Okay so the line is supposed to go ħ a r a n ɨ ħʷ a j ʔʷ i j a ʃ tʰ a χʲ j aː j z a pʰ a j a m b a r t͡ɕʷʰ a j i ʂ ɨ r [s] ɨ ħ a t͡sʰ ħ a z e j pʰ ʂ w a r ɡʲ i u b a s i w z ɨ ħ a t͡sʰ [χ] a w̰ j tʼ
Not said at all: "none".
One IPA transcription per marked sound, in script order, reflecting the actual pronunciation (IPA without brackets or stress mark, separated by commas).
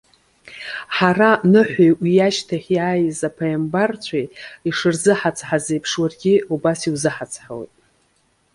z, ħ